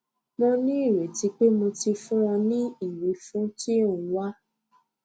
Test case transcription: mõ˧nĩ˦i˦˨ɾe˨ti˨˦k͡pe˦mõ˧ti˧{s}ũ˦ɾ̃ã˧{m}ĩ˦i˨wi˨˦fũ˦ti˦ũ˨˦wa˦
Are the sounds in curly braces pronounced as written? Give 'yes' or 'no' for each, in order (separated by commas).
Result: no, no